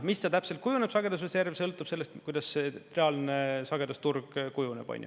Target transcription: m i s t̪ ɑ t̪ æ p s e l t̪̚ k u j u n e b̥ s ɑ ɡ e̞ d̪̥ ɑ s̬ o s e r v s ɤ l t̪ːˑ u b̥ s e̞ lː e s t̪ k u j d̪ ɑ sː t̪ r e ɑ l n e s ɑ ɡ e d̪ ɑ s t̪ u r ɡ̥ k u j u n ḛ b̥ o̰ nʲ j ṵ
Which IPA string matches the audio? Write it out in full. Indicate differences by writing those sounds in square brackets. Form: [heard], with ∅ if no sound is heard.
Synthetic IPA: m i s t̪ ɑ t̪ æ p s e l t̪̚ k u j u n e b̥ s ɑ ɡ e̞ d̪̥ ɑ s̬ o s e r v s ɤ l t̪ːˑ u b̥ s e̞ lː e s t̪ k u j d̪ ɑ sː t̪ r e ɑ l n e s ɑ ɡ e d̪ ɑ s t̪ u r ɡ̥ k u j u n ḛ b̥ o̰ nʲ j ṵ